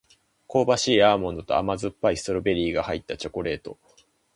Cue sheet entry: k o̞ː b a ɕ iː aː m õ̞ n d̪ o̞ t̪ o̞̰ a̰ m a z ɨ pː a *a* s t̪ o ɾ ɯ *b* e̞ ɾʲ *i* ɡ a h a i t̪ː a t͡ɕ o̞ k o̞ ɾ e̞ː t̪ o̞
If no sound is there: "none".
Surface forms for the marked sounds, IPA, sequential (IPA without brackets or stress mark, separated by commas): i, b, iː